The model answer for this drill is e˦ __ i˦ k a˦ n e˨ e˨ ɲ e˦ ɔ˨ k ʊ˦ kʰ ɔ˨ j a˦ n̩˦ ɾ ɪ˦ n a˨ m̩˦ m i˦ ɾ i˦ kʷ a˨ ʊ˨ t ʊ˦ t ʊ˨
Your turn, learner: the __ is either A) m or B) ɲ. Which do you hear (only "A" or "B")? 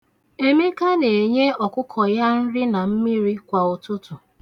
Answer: A